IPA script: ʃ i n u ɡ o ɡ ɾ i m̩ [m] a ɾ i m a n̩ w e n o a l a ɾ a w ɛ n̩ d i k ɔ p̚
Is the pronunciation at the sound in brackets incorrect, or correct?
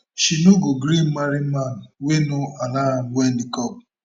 correct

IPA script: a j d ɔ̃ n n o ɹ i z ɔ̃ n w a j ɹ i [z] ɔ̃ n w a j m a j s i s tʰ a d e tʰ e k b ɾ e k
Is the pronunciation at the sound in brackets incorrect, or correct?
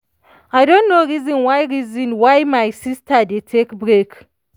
correct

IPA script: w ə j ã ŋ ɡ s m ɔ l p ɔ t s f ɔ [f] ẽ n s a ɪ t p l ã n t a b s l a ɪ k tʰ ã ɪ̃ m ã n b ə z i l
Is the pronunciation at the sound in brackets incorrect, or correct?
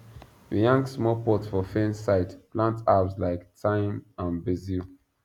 correct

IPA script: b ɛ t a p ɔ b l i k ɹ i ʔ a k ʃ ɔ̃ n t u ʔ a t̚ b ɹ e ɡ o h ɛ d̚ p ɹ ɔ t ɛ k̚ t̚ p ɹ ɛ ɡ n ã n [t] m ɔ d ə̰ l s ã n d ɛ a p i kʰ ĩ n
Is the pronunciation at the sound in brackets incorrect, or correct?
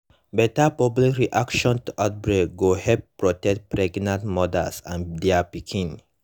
correct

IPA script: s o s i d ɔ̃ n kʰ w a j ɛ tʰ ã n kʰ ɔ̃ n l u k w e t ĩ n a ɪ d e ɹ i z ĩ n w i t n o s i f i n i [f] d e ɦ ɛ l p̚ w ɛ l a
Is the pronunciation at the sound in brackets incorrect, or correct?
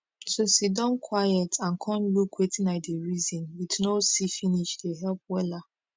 incorrect: ʃ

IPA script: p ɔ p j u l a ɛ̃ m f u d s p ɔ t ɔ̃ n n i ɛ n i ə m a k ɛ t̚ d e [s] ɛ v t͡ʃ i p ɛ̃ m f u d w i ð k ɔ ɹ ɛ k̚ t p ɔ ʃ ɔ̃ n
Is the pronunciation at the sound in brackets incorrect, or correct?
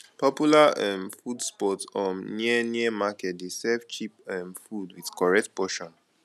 correct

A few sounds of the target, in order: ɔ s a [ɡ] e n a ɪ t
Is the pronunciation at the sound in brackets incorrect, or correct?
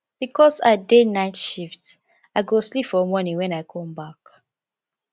incorrect: d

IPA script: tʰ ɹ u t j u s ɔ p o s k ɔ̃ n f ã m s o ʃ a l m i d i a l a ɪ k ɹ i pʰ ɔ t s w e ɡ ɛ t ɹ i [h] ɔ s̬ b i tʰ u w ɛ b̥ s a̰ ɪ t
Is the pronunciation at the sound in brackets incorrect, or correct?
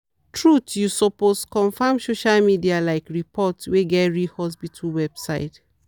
correct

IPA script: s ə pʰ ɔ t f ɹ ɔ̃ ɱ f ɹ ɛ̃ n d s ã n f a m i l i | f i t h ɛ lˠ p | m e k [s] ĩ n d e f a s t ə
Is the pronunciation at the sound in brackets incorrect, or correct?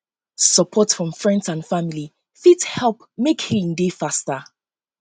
incorrect: h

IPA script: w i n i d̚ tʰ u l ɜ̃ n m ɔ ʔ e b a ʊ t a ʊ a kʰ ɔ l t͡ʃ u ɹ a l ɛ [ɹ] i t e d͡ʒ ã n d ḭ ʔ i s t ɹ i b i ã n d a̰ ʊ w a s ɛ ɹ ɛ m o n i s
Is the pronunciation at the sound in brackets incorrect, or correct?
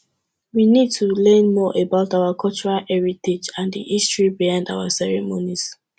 correct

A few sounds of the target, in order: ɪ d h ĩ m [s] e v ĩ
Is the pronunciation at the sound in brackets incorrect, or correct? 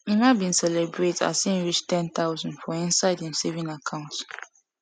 correct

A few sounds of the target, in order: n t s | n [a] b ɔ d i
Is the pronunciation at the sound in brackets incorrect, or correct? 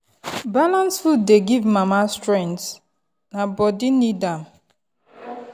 correct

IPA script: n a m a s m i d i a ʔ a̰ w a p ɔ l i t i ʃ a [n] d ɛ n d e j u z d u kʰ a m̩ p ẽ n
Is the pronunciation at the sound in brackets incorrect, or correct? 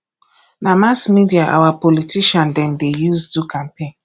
correct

